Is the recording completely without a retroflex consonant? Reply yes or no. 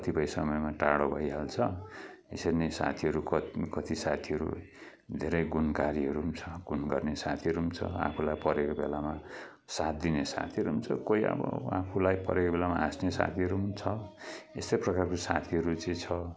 no